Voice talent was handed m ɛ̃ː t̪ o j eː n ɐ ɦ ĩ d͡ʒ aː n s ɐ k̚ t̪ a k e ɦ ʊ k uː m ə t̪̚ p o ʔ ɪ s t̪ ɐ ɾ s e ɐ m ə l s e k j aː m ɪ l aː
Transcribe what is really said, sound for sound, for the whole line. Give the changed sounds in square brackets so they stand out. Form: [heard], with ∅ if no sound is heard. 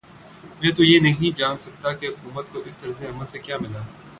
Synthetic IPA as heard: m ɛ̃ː t̪ o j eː n ɐ ɦ ĩ d͡ʒ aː n s ɐ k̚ t̪ a k e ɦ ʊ k uː m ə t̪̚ [k] o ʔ ɪ s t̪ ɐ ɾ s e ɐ m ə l s e k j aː m ɪ l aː

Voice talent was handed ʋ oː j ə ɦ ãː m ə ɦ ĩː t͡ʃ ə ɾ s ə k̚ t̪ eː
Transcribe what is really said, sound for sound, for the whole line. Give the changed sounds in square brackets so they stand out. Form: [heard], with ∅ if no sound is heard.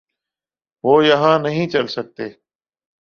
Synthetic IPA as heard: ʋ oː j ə ɦ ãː [n] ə ɦ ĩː t͡ʃ ə [l] s ə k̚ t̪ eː

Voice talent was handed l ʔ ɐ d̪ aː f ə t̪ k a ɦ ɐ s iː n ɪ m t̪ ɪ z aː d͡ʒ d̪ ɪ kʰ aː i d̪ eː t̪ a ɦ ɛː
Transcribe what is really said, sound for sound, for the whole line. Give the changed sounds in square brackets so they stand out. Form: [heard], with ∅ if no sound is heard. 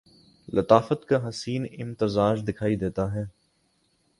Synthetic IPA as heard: l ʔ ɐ [t̪] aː f ə t̪ k a ɦ ɐ s iː n ɪ m t̪ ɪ z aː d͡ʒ d̪ ɪ kʰ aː i d̪ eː t̪ a ɦ ɛː

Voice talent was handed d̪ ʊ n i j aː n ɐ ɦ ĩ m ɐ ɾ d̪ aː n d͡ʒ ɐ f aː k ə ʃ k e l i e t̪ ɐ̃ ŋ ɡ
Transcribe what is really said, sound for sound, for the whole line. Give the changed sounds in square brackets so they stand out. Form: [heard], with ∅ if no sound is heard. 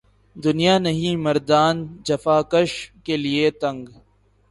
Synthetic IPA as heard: d̪ ʊ n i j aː n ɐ ɦ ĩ m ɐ ɾ d̪ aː n d͡ʒ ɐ f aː k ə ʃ k e l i e t̪ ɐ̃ ŋ ɡ

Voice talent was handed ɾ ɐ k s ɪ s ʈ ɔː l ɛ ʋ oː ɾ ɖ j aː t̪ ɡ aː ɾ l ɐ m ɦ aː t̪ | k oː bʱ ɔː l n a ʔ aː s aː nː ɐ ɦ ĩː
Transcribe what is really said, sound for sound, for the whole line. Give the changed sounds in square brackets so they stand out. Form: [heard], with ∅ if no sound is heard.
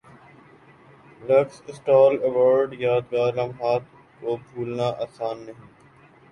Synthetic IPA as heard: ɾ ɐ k s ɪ s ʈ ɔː l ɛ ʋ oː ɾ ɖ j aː [d̪] ɡ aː ɾ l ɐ m ɦ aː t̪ | k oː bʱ [uː] l n a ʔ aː s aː nː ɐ ɦ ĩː

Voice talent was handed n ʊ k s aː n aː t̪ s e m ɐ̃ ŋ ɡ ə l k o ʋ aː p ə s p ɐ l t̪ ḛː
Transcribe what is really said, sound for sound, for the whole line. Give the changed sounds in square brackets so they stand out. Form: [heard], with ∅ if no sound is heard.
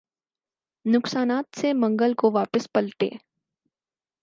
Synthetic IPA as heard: n ʊ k s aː n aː t̪ s e m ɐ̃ ŋ ɡ ə l k o ʋ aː p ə s p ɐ l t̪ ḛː

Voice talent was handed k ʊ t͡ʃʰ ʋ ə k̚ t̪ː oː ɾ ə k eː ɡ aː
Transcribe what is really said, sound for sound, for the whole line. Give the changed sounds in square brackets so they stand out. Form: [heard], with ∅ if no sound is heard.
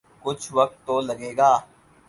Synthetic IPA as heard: k ʊ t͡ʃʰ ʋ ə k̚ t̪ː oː [l] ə [ɡ] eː ɡ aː

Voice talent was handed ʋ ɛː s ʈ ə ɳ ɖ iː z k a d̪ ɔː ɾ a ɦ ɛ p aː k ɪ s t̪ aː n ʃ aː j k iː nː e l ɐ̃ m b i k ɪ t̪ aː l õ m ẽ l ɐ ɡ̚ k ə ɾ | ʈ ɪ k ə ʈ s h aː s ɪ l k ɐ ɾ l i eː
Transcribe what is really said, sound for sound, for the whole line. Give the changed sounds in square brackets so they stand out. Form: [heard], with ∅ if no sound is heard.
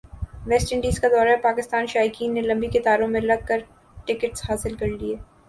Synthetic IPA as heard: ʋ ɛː s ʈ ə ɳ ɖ iː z k a d̪ ɔː ɾ a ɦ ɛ p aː k ɪ s t̪ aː n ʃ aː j k iː nː e l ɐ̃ m b i k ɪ t̪ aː [ɾ] õ m ẽ l ɐ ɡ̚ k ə ɾ | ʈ ɪ k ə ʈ s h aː s ɪ l k ɐ ɾ l i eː

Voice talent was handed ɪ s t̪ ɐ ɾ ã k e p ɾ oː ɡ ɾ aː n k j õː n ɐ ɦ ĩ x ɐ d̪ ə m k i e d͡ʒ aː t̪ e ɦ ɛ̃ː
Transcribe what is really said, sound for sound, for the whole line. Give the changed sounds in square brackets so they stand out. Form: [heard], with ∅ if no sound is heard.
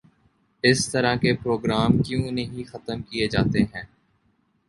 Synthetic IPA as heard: ɪ s t̪ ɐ ɾ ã k e p ɾ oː ɡ ɾ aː [m] k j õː n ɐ ɦ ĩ x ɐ [t̪] ə m k i e d͡ʒ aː t̪ e ɦ ɛ̃ː

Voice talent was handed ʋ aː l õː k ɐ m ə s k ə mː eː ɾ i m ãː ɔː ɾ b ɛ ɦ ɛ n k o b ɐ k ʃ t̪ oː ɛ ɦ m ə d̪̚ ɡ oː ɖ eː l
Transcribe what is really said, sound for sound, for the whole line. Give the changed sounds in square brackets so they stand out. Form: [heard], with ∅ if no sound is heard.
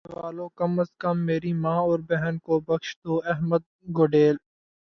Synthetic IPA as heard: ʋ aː l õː k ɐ m ə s k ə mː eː ɾ i m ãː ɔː ɾ b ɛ ɦ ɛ n k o b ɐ k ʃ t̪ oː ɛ ɦ m ə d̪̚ ɡ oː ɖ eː l

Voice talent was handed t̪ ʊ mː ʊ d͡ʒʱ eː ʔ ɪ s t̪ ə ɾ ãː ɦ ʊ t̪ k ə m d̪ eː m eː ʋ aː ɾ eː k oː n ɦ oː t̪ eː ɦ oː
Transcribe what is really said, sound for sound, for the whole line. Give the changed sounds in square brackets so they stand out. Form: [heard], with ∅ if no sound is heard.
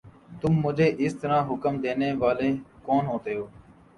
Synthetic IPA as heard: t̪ ʊ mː ʊ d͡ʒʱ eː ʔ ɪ s t̪ ə ɾ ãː ɦ ʊ [∅] k ə m d̪ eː [n] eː ʋ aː [l] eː k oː n ɦ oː t̪ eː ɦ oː

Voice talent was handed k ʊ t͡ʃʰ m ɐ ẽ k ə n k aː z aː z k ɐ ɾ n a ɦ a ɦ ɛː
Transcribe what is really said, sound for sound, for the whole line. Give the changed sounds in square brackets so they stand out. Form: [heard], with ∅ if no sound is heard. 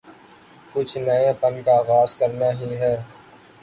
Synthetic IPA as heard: k ʊ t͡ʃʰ [n] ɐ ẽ [p] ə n k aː [ɣ] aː z k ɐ ɾ n a ɦ [i] ɦ ɛː

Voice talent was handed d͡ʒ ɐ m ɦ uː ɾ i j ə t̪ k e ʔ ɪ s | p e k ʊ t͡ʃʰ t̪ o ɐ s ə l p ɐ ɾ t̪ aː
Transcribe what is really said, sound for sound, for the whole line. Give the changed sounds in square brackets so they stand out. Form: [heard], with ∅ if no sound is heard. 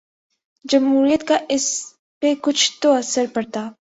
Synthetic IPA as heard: d͡ʒ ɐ m ɦ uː ɾ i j ə t̪ k [a] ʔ ɪ s | p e k ʊ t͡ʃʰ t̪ o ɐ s ə [ɾ] p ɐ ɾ t̪ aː

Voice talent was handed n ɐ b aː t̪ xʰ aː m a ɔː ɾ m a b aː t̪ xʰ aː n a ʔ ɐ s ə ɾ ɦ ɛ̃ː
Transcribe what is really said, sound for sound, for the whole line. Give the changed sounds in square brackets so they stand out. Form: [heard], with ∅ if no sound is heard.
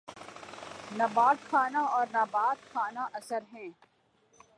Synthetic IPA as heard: n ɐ b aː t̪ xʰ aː [n] a ɔː ɾ [n] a b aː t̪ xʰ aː n a ʔ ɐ s ə ɾ ɦ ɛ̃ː

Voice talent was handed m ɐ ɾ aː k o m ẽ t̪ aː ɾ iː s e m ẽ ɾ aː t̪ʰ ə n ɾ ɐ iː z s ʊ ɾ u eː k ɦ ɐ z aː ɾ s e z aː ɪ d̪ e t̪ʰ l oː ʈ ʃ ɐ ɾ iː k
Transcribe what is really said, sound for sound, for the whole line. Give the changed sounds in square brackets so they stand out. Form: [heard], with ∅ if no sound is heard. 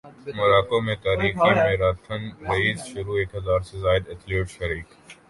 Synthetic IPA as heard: m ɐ ɾ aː k o m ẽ t̪ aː ɾ iː [x] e m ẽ ɾ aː t̪ʰ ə n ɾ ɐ iː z [ʃ] ʊ ɾ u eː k ɦ ɐ z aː ɾ s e z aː ɪ d̪ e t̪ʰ l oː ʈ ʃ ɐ ɾ iː k

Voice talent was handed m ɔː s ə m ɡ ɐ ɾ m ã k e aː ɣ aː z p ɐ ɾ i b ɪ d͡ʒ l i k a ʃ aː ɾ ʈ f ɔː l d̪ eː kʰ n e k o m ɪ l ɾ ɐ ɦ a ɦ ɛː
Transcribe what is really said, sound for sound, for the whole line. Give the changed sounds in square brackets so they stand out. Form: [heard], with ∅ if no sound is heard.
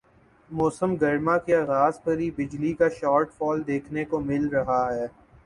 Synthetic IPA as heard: m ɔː s ə m ɡ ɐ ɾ m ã k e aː ɣ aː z p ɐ ɾ i b ɪ d͡ʒ l i k a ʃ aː ɾ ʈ f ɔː l d̪ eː kʰ n e k o m ɪ l ɾ ɐ ɦ a ɦ ɛː

